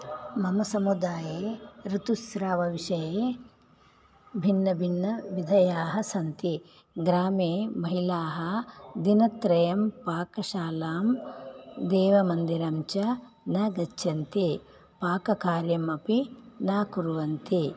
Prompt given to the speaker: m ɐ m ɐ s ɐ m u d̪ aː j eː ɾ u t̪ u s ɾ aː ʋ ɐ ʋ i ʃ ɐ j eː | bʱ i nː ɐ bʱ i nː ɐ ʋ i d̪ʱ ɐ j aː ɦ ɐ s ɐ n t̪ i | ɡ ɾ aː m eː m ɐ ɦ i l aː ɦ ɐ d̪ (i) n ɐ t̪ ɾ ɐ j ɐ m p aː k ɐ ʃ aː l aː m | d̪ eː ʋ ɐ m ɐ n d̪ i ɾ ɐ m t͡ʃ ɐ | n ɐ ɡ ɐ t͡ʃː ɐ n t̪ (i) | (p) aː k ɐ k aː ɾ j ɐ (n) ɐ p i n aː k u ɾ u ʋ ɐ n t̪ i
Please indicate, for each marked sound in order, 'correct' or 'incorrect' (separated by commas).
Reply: correct, correct, correct, incorrect